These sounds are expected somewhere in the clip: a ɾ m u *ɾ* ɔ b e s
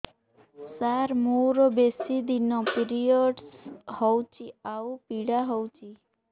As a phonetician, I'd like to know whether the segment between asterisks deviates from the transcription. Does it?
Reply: no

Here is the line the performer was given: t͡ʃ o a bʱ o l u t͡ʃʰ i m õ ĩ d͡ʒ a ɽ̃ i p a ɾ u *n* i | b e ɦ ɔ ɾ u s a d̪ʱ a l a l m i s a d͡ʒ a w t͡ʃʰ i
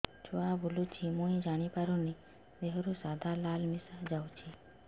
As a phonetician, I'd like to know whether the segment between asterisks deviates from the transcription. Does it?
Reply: no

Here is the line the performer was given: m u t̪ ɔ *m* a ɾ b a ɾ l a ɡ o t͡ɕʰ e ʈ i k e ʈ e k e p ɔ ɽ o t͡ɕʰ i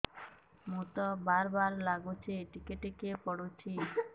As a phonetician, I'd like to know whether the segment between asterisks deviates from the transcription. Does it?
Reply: yes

